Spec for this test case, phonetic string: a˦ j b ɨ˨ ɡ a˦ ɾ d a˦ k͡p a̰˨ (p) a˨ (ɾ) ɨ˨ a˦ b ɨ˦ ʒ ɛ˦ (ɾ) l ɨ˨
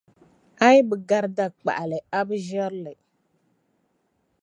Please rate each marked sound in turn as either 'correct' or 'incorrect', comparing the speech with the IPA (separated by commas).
incorrect, incorrect, correct